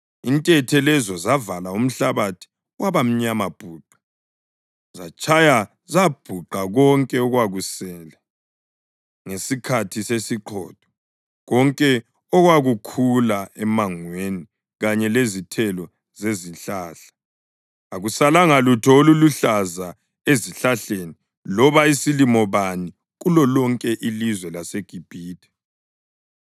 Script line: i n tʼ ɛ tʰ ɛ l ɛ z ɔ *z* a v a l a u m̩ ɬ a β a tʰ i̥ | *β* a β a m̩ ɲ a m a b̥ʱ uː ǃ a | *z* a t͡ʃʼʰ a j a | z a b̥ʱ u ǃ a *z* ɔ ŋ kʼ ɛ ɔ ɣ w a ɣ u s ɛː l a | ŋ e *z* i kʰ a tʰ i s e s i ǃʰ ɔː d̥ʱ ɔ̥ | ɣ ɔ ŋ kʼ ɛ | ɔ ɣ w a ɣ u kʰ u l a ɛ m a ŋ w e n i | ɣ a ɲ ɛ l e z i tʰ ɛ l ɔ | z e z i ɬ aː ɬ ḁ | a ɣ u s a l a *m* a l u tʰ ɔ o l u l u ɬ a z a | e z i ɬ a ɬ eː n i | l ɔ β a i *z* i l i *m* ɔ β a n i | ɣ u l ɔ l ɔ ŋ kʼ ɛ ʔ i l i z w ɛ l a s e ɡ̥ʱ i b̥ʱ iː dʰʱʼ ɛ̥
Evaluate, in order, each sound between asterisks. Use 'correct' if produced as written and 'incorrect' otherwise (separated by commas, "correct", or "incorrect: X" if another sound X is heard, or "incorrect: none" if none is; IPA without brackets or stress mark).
correct, incorrect: w, correct, incorrect: ɣ, incorrect: s, incorrect: ŋ, incorrect: s, correct